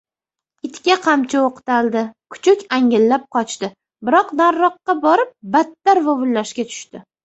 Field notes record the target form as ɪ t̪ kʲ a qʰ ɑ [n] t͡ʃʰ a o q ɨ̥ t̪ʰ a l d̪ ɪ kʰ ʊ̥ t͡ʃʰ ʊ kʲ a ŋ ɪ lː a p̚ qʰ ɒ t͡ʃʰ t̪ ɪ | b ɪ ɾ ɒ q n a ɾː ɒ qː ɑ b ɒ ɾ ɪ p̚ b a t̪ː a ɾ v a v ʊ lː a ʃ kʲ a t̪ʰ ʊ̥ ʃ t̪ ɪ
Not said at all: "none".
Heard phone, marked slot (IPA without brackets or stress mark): m